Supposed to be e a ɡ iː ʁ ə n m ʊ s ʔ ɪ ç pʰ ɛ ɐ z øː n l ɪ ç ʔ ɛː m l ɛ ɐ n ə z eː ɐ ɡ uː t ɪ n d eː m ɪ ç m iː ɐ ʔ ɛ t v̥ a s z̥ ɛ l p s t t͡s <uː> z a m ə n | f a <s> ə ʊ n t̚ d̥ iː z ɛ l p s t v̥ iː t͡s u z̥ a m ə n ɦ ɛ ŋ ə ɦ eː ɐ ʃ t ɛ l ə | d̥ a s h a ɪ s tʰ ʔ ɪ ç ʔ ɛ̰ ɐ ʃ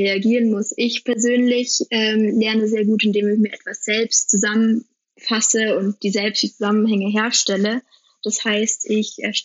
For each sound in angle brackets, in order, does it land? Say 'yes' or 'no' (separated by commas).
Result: no, yes